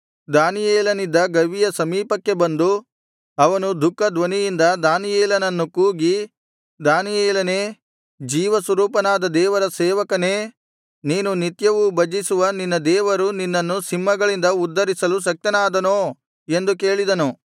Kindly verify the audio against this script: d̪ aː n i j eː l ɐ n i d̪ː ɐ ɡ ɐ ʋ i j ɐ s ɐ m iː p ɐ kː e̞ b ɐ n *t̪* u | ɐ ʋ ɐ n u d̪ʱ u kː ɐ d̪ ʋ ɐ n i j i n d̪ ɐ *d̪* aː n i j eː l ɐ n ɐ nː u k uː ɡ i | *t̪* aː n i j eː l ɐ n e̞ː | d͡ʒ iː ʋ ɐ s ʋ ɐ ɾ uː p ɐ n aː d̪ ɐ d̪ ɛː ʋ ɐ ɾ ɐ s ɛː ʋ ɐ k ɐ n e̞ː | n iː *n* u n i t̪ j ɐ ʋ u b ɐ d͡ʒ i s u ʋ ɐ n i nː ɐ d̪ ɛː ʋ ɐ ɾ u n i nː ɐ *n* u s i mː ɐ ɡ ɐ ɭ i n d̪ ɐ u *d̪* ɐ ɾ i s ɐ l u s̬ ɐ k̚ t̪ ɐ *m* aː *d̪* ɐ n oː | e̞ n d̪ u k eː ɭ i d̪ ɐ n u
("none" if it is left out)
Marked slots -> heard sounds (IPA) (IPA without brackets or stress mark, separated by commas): d̪, d̪, d̪, n, nː, d̪ː, n, d̪